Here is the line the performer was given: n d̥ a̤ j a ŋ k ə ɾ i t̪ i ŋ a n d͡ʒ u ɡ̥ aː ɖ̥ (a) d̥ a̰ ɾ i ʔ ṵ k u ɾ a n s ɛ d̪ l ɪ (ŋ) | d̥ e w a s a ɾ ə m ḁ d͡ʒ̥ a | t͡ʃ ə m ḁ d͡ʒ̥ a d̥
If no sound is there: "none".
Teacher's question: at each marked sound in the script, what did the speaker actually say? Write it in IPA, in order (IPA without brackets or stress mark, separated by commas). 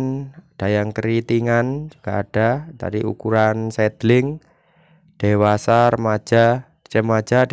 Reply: a, ŋ